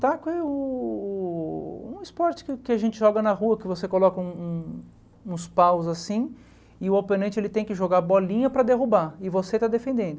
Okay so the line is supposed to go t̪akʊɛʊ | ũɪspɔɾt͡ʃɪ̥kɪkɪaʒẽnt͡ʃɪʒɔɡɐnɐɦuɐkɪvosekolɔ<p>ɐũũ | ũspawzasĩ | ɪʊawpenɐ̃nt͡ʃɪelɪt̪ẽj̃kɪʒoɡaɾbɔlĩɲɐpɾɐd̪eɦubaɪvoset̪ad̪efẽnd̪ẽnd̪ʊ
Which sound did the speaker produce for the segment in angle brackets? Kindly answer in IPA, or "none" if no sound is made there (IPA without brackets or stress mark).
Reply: k